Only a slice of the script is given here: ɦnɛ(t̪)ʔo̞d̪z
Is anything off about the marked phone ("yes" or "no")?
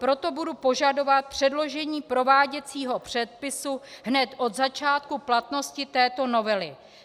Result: no